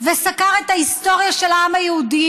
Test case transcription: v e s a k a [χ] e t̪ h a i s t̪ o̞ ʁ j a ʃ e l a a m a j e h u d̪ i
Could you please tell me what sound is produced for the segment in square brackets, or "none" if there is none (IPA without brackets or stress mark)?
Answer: ʁ